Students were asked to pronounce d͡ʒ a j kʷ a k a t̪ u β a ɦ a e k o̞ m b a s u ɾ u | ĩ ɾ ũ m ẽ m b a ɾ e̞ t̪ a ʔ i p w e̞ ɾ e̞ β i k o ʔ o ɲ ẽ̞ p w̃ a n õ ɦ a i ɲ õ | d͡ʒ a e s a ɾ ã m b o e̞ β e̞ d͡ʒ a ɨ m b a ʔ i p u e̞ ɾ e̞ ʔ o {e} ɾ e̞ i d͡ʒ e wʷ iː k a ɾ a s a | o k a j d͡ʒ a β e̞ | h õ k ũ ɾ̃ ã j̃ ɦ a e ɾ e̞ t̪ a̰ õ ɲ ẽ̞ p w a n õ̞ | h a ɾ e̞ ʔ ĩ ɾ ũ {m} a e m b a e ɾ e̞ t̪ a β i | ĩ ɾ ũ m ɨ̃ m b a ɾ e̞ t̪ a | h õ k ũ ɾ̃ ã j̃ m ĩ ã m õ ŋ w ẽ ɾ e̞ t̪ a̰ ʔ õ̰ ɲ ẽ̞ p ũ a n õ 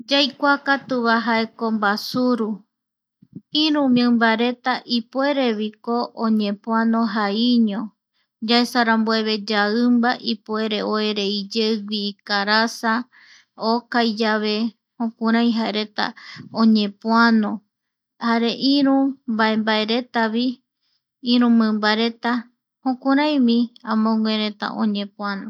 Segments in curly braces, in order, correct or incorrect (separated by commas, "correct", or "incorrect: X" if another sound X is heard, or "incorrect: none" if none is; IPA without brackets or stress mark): correct, incorrect: b